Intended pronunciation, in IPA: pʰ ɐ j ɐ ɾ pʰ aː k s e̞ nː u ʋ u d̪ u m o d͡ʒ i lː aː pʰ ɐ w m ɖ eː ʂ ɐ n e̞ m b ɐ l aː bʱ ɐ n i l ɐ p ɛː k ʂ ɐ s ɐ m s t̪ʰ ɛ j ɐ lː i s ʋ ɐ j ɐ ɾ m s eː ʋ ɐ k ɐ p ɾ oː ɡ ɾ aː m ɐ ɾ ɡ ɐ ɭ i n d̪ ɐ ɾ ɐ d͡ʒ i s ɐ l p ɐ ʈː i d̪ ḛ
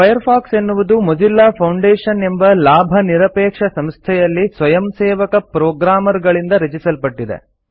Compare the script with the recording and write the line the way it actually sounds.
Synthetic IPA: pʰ ɐ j ɐ ɾ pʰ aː k s e̞ nː u ʋ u d̪ u m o d͡ʒ i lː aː pʰ ɐ w ɳ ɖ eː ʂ ɐ n e̞ m b ɐ l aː bʱ ɐ n i ɾ ɐ p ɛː k ʂ ɐ s ɐ m s t̪ʰ ɛ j ɐ lː i s ʋ ɐ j ɐ m s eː ʋ ɐ k ɐ p ɾ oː ɡ ɾ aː m ɐ ɾ ɡ ɐ ɭ i n d̪ ɐ ɾ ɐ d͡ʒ i s ɐ l p ɐ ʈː i d̪ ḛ